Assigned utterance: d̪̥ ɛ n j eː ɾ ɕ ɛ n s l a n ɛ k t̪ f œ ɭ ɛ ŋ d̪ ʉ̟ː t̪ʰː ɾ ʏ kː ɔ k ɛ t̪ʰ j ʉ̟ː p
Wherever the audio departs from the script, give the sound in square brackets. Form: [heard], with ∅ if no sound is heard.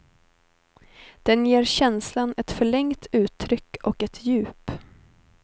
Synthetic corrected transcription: d̪̥ ɛ n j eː ɾ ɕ ɛ n s l a n ɛ [∅] t̪ f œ ɭ ɛ ŋ [t̪] ʉ̟ː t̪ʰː ɾ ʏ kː ɔ k ɛ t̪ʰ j ʉ̟ː p